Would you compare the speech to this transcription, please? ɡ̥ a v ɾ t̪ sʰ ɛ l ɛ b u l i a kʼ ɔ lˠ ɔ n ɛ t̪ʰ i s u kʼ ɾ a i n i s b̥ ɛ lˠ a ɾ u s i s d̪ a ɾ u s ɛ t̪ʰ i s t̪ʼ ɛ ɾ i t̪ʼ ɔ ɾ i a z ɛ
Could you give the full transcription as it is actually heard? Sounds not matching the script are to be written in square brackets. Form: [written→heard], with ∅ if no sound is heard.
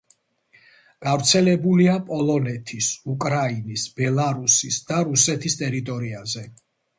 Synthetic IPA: ɡ̥ a v ɾ t̪ sʰ ɛ l ɛ b u l i a [kʼ→pʼ] ɔ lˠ ɔ n ɛ t̪ʰ i s u kʼ ɾ a i n i s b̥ ɛ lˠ a ɾ u s i s d̪ a ɾ u s ɛ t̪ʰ i s t̪ʼ ɛ ɾ i t̪ʼ ɔ ɾ i a z ɛ